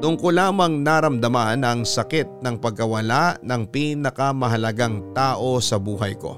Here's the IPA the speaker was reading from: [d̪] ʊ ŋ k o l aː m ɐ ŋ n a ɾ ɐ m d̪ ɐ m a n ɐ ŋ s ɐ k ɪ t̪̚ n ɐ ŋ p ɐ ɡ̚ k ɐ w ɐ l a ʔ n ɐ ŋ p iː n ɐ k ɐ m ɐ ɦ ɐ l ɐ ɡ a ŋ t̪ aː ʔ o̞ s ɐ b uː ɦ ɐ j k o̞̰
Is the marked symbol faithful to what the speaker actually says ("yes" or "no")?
no